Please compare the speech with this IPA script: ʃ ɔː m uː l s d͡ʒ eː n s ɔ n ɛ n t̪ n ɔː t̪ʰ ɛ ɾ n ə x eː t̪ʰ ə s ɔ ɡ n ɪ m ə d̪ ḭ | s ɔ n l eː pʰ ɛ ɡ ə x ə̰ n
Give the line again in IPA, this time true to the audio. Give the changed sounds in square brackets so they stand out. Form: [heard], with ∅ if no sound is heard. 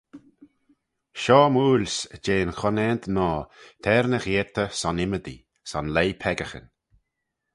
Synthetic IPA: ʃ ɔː m uː l s d͡ʒ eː n [x] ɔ n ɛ n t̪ n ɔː t̪ʰ ɛ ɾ n ə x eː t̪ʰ ə s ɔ [∅] n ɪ m ə d̪ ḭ | s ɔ n l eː pʰ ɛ ɡ ə x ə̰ n